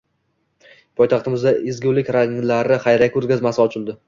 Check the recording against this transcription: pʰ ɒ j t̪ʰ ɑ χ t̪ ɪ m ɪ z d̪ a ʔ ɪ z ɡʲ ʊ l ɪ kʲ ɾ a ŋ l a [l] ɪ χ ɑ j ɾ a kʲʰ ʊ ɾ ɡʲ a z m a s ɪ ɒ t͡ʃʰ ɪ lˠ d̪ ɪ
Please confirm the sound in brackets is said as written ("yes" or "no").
no